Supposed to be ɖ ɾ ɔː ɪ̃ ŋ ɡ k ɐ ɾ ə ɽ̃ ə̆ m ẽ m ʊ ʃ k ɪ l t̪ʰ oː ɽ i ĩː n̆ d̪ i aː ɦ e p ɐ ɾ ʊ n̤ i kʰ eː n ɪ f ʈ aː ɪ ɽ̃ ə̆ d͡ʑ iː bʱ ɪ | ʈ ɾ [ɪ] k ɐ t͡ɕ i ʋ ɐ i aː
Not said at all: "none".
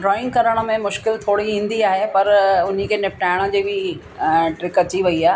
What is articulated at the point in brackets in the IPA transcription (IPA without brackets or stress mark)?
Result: ɪ